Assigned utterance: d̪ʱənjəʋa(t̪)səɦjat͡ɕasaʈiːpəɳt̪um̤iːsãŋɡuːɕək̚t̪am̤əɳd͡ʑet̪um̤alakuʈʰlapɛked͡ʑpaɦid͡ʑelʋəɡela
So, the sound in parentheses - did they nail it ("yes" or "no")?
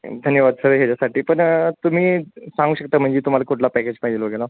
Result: no